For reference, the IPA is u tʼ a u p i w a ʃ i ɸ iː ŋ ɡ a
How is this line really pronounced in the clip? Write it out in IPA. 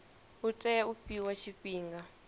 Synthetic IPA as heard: u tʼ ɛ u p i w a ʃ i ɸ iː ŋ ɡ a